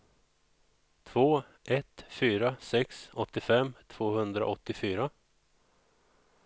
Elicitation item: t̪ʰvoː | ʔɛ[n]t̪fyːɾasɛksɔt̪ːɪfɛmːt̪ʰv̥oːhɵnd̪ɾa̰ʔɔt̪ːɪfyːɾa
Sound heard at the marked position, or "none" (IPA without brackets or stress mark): none